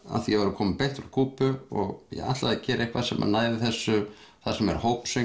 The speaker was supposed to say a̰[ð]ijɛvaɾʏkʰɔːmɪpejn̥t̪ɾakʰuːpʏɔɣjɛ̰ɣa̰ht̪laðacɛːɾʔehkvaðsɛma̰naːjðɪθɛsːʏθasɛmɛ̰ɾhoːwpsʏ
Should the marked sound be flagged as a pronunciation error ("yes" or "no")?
yes